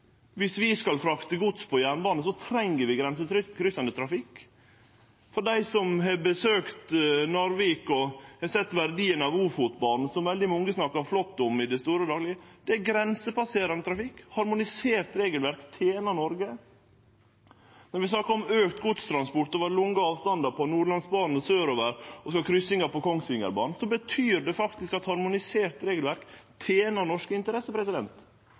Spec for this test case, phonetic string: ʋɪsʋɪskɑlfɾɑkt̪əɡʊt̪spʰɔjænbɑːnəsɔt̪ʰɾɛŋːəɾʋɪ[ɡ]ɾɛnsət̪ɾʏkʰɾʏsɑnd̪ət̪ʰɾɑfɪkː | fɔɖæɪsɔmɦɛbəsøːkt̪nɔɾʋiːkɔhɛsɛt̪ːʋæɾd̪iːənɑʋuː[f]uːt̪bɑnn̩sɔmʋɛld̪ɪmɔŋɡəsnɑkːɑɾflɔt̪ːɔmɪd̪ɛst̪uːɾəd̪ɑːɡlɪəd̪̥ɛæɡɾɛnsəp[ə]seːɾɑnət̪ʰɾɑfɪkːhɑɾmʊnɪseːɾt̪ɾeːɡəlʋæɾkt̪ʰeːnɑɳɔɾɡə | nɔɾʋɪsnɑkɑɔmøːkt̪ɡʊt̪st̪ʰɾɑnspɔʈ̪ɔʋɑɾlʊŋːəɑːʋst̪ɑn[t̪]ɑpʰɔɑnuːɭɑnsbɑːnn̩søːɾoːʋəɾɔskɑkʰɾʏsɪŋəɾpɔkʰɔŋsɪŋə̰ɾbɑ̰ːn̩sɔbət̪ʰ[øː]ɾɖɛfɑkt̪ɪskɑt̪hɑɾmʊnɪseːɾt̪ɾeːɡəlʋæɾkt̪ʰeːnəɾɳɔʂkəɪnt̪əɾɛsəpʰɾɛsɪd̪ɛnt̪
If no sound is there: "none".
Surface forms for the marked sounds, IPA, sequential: ɡ, f, ɑ, d̪, yː

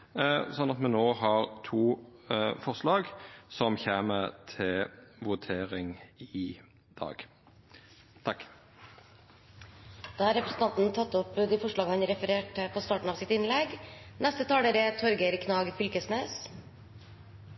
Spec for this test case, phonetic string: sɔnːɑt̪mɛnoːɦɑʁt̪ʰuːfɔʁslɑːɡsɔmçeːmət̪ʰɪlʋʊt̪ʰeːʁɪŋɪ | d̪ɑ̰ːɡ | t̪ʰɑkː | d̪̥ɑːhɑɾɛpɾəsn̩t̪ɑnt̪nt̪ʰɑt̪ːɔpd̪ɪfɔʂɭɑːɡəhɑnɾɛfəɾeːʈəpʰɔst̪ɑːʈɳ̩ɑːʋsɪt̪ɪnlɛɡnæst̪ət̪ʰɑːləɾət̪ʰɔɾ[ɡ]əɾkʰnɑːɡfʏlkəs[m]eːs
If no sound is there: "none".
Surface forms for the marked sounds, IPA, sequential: ɡ, n

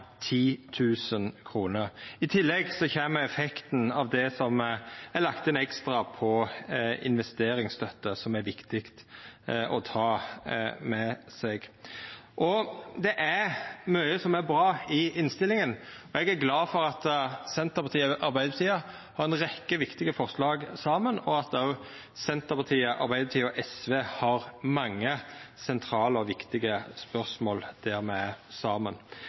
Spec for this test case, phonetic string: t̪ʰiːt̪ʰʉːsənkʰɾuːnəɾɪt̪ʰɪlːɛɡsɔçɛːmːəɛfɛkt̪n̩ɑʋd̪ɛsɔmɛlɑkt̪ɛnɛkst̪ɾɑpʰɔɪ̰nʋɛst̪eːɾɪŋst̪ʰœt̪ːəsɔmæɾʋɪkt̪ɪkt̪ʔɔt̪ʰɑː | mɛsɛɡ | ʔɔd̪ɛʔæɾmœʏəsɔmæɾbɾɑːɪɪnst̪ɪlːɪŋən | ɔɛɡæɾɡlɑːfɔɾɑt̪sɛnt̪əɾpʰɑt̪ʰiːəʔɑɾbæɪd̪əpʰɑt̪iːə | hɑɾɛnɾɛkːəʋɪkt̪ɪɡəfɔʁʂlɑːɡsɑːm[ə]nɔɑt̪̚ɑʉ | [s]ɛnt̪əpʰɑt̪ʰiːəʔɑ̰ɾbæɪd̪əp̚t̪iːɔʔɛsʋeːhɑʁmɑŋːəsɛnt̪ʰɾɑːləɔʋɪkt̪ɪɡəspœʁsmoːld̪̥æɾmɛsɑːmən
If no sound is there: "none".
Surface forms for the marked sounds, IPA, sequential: ə, s

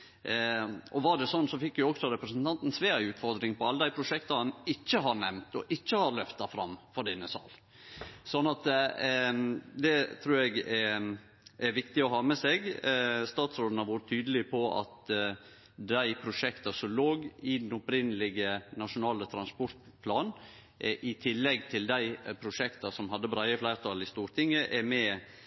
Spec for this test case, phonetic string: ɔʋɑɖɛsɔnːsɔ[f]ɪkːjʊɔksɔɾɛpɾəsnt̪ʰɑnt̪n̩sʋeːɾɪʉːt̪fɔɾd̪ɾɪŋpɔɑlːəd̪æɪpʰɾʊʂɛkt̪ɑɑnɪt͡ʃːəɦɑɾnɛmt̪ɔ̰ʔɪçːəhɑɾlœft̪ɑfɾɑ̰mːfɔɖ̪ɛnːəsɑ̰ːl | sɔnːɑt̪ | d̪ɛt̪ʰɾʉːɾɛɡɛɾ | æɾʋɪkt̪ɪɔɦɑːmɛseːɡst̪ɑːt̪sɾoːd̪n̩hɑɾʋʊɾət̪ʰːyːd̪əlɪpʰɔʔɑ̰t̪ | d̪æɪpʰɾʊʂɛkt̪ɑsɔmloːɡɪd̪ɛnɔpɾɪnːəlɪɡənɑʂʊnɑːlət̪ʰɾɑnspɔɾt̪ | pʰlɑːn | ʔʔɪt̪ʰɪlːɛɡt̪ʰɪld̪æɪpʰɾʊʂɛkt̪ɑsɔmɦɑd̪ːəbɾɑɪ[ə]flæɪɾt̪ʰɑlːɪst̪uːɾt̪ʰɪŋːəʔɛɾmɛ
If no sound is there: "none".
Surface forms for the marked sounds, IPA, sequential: f, ə

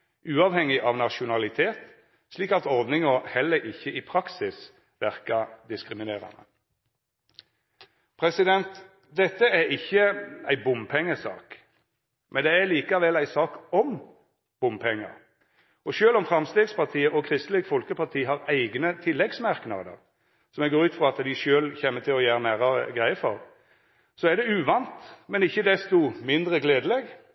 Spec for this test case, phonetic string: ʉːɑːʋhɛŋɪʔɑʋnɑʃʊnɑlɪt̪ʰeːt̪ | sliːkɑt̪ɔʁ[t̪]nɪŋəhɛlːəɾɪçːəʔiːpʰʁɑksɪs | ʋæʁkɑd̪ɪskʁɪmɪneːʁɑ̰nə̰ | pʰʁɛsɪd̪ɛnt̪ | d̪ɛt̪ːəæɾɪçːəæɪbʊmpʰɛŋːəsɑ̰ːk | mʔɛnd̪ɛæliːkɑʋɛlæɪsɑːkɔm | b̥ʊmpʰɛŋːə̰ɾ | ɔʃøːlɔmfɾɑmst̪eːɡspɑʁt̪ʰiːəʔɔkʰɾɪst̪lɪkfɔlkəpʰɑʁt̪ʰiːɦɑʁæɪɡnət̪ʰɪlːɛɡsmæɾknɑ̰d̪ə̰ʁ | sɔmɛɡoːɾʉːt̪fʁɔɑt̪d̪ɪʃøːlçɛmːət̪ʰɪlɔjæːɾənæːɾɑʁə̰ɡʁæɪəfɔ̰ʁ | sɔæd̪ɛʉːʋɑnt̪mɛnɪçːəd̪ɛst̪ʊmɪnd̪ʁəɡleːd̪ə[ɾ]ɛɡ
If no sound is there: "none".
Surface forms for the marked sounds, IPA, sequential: d̪, l

